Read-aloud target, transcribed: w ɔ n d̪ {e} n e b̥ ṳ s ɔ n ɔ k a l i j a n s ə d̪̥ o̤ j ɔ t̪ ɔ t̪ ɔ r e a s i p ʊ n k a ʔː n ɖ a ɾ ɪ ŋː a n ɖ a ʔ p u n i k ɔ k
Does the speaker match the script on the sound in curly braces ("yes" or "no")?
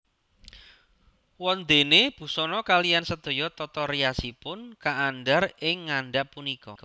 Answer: yes